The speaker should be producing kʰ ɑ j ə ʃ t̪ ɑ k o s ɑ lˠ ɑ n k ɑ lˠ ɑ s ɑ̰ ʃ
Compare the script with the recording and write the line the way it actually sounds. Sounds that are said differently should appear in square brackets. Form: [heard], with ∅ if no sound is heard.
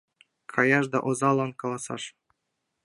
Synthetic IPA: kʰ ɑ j [ɑ] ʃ [d̪] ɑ [ʔ] o [z] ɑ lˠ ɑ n k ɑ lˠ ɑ s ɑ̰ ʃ